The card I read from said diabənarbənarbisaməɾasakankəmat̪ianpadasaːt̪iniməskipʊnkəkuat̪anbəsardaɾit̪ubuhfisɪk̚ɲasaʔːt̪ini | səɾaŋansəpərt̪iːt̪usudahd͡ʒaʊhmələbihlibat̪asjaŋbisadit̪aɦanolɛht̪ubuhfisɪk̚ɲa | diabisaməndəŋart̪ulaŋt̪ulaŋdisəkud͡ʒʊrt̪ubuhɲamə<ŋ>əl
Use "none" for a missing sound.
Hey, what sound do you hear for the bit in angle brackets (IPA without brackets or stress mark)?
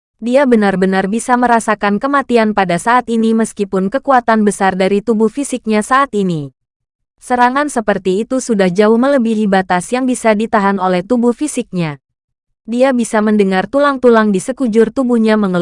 ŋ